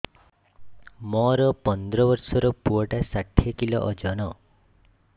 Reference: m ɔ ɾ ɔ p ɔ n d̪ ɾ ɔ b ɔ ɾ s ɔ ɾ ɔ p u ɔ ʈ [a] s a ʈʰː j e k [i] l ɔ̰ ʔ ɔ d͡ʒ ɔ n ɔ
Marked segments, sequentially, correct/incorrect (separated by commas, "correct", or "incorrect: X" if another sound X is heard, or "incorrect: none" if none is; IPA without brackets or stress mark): correct, correct